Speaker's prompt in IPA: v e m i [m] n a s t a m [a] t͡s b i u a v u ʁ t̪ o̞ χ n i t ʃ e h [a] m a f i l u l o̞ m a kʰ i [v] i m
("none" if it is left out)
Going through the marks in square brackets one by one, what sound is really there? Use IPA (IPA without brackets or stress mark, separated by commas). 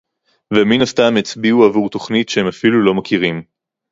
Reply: none, e, e, ʁ